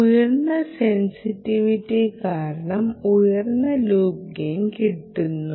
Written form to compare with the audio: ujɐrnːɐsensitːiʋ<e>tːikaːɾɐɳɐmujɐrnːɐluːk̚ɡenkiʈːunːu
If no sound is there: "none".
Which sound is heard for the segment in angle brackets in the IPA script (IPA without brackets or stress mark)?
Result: i